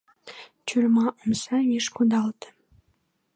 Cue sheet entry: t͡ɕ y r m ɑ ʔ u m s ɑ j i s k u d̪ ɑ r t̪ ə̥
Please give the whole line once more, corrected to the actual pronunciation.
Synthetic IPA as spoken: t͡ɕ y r m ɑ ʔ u m s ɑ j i ʃ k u d̪ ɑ l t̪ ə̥